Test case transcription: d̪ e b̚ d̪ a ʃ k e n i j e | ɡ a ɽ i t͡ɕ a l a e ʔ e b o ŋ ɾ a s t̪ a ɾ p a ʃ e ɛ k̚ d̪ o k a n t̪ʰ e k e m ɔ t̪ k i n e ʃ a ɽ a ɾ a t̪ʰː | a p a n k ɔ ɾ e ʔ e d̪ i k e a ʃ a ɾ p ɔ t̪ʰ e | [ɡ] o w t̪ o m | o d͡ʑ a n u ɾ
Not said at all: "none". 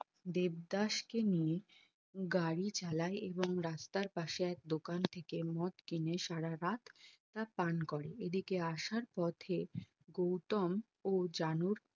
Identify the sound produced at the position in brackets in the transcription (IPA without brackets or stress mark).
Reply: ɡ